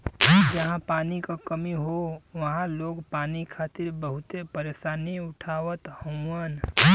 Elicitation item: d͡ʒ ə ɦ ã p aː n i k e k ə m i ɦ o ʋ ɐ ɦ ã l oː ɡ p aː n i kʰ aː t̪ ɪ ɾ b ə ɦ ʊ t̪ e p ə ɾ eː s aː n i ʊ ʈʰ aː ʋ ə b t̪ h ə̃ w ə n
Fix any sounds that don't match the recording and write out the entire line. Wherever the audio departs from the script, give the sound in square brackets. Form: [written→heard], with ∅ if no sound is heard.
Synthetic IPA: d͡ʒ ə ɦ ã p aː n i k [e→a] k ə m i ɦ o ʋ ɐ ɦ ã l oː ɡ p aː n i kʰ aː t̪ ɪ ɾ b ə ɦ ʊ t̪ e p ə ɾ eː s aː n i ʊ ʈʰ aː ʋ ə [b→∅] t̪ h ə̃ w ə n